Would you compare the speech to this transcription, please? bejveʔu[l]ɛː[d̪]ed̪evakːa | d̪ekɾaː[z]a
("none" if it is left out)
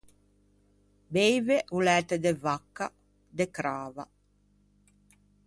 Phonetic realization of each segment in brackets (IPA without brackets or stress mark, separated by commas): l, t̪, v